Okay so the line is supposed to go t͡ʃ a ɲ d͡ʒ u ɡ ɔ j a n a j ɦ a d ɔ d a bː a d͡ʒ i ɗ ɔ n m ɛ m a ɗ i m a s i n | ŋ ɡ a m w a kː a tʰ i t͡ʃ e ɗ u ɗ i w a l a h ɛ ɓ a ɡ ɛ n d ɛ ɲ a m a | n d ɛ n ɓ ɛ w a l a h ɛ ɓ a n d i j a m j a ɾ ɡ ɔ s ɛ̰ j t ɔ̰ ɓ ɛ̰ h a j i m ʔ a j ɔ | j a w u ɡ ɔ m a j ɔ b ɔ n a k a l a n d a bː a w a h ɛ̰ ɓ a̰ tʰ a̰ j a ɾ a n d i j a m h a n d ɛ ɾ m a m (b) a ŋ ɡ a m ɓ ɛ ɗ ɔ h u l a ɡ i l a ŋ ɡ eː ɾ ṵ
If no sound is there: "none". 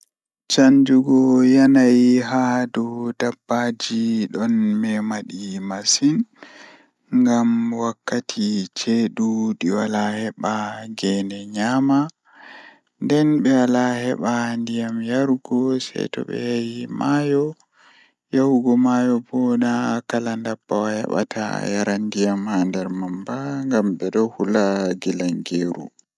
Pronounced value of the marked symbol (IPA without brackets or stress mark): b